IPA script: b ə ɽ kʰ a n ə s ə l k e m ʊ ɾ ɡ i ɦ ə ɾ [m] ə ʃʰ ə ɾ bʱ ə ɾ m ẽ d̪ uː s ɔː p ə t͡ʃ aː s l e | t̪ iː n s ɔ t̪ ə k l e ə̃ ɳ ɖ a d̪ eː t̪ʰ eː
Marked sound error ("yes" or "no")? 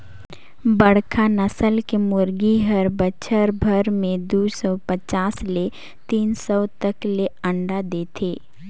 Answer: yes